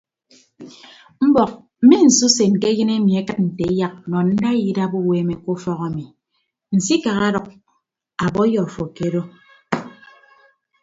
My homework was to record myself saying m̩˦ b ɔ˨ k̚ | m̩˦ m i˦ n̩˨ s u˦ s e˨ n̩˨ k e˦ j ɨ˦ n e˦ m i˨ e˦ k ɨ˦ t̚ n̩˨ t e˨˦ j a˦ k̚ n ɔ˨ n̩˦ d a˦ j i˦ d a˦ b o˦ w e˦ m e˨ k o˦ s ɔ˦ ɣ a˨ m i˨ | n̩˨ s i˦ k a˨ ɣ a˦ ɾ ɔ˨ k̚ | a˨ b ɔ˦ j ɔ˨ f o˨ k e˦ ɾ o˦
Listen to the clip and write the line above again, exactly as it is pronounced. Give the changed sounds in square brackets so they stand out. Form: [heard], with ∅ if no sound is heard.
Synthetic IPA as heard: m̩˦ b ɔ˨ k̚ | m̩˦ m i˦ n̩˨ s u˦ s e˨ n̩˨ k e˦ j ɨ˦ n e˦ m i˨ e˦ k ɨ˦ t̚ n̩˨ t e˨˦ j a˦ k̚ n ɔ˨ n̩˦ d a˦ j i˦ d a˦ b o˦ w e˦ m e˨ k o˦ [f] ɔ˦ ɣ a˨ m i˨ | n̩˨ s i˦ k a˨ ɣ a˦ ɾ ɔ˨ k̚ | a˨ b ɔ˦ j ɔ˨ f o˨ k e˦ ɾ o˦